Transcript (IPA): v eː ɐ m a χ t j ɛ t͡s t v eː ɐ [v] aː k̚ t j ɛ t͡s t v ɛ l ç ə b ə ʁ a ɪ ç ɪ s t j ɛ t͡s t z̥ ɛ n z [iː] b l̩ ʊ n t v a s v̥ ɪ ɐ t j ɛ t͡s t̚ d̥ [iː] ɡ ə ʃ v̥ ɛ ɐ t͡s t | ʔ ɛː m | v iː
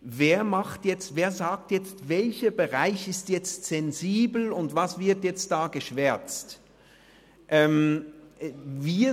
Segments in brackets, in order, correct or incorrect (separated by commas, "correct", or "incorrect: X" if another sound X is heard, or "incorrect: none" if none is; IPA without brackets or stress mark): incorrect: z, correct, incorrect: aː